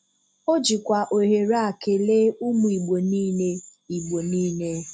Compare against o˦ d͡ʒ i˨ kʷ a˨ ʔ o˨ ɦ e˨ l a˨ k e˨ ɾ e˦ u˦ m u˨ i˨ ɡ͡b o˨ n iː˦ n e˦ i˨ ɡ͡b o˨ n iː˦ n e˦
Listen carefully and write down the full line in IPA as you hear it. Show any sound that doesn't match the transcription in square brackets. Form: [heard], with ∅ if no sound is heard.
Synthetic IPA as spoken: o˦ d͡ʒ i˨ kʷ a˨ ʔ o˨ ɦ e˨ [ɾ] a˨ k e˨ [l] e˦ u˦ m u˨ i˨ ɡ͡b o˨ n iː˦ n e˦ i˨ ɡ͡b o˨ n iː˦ n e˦